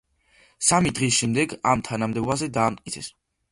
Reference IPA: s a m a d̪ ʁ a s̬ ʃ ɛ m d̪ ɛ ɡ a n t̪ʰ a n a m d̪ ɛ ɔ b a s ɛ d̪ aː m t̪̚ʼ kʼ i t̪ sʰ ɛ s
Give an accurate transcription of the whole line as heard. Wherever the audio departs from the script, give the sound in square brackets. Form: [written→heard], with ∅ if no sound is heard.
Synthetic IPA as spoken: s a m [a→i] d̪ ʁ [a→i] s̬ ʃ ɛ m d̪ ɛ ɡ a [n→m] t̪ʰ a n a m d̪ ɛ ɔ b a [s→z] ɛ d̪ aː m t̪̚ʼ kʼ i t̪ sʰ ɛ s